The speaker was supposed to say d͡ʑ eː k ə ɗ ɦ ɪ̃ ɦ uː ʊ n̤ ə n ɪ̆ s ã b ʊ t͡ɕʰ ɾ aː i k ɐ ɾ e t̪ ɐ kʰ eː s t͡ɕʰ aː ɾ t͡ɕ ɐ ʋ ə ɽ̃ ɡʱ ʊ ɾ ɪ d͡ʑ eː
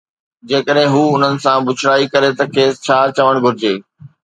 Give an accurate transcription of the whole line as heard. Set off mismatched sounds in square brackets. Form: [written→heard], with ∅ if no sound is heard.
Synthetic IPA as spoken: d͡ʑ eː k ə ɗ ɦ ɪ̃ ɦ uː ʊ n̤ ə n ɪ̆ s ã b ʊ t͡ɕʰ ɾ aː i k ɐ ɾ e t̪ ɐ kʰ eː s t͡ɕʰ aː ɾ t͡ɕ ɐ ʋ ə ɽ̃ ɡʱ ʊ ɾ ɪ d͡ʑ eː